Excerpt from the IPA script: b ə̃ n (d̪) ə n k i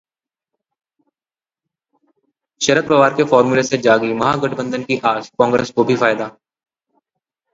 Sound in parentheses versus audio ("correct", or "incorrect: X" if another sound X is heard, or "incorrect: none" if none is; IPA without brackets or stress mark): correct